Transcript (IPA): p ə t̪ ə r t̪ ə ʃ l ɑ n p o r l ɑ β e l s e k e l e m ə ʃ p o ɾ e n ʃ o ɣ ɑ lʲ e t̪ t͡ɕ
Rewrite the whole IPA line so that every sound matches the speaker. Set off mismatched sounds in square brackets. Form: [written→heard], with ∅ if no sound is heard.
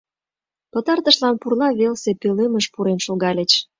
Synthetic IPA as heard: p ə t̪ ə r t̪ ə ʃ l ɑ n p [o→u] r l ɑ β e l s e [k→p] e l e m ə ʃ p [o→u] ɾ e n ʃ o ɣ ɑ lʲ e [t̪→∅] t͡ɕ